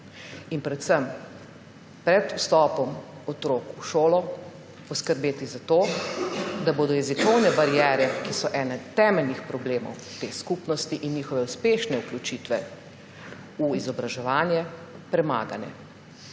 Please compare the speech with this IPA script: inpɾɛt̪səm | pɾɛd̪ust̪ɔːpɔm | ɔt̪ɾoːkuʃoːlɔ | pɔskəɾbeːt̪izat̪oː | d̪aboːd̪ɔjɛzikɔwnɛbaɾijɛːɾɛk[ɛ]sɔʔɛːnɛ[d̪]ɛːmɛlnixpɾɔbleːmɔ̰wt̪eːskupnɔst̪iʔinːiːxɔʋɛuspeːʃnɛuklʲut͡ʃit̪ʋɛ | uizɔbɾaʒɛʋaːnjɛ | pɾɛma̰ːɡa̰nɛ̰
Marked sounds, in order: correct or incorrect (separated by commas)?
incorrect, incorrect